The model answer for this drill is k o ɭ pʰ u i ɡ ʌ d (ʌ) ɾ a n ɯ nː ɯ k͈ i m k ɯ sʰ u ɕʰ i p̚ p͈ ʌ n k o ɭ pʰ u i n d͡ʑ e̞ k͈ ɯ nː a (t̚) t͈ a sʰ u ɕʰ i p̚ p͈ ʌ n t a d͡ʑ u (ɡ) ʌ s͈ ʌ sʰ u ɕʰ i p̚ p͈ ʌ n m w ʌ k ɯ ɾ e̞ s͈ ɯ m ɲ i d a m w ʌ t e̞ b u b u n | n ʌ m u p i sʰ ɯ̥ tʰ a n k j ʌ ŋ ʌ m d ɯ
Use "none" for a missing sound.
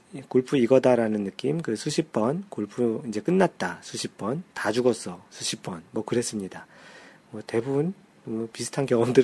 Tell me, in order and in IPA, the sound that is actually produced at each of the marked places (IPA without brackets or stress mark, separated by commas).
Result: a, t̚, ɡ